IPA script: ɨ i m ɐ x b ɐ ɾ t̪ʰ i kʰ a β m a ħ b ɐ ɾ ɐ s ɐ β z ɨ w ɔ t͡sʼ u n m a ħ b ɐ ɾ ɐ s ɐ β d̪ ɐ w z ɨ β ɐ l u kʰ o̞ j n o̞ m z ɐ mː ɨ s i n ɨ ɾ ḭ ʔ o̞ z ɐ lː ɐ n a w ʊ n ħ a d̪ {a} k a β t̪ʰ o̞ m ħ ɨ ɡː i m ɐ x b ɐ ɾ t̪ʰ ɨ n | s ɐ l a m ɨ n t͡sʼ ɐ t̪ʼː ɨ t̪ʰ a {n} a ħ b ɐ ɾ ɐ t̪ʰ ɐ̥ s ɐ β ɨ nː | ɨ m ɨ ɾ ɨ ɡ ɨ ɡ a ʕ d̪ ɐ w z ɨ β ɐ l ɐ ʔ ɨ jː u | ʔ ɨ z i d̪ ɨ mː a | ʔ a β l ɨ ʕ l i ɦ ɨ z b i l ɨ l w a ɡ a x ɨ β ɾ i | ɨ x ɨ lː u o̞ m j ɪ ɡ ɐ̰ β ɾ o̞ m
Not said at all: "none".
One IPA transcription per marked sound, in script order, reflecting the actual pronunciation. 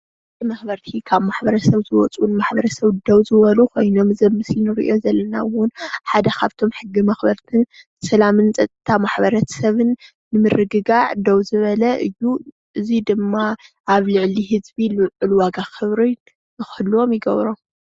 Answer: ɐ, m

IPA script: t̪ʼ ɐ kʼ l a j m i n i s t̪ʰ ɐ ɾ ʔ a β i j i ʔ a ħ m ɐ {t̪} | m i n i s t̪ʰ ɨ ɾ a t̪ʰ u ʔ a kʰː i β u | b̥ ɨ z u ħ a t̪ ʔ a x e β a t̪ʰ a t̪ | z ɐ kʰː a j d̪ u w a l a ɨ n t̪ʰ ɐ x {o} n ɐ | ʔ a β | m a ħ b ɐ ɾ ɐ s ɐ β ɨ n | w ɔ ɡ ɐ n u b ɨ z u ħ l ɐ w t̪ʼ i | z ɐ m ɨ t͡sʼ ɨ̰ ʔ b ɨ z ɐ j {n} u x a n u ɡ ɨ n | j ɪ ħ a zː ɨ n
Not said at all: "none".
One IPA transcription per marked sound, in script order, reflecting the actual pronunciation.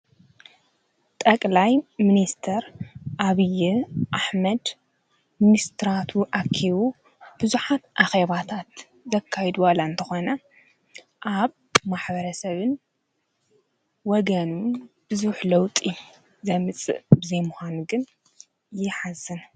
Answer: d̪, o, m

